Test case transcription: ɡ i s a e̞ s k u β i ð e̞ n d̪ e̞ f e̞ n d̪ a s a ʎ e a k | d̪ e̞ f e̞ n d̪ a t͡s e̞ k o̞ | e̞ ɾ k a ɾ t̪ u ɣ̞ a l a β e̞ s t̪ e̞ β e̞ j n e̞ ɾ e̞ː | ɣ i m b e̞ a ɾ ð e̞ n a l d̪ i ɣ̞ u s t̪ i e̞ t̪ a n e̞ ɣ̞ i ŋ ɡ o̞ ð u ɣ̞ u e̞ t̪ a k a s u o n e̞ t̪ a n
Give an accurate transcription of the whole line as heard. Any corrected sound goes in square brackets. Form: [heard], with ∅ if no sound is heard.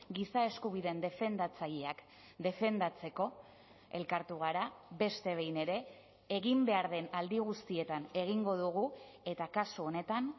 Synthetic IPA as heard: ɡ i s a e̞ s k u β i ð e̞ n d̪ e̞ f e̞ n d̪ a [t͡s] a ʎ e a k | d̪ e̞ f e̞ n d̪ a t͡s e̞ k o̞ | e̞ [l] k a ɾ t̪ u ɣ̞ a [ɾ] a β e̞ s t̪ e̞ β e̞ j n e̞ ɾ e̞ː | ɣ i m b e̞ a ɾ ð e̞ n a l d̪ i ɣ̞ u s t̪ i e̞ t̪ a n e̞ ɣ̞ i ŋ ɡ o̞ ð u ɣ̞ u e̞ t̪ a k a s u o n e̞ t̪ a n